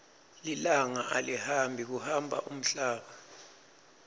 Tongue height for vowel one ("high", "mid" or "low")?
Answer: high